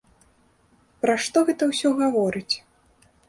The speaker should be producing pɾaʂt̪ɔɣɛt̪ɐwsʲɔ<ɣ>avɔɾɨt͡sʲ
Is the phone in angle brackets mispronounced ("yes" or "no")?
no